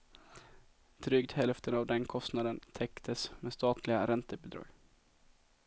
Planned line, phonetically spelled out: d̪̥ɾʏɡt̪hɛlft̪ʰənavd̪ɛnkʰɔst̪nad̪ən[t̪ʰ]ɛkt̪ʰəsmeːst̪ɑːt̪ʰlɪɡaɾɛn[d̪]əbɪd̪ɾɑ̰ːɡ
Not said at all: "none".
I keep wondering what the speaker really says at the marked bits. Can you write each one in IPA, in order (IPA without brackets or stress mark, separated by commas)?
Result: t̪ʰ, t̪